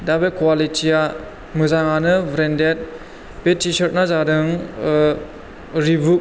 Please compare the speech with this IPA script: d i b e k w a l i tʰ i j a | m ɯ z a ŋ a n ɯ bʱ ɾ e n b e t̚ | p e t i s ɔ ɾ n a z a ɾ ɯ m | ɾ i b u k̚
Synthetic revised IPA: d a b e k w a l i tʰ i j a | m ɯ z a ŋ a n ɯ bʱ ɾ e n d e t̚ | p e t i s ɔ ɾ n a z a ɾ ɯ ŋ | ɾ i b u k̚